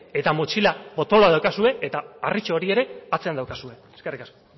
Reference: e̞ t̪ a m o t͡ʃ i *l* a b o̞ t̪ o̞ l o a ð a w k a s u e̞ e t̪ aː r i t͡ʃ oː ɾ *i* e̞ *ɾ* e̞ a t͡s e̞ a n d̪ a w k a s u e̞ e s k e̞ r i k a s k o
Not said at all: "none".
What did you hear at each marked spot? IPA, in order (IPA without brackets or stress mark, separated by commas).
l, i, ɾ